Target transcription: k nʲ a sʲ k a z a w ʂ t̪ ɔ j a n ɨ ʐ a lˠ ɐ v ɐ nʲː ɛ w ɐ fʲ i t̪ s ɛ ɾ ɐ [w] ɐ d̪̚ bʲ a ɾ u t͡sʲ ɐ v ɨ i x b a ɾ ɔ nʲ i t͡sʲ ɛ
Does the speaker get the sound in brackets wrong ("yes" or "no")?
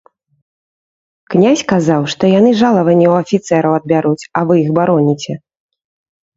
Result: no